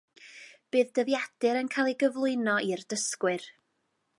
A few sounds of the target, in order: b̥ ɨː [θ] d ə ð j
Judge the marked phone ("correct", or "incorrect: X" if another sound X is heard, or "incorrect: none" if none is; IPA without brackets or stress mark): incorrect: ð